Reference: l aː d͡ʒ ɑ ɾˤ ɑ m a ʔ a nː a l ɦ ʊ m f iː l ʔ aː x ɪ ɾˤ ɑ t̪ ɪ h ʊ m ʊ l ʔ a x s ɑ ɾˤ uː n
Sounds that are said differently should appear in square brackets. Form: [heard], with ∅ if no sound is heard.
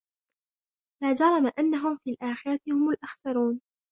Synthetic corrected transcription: l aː d͡ʒ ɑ ɾˤ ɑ m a ʔ a nː a [∅] ɦ ʊ m f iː l ʔ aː x ɪ ɾˤ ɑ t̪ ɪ h ʊ m ʊ l ʔ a x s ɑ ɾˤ uː n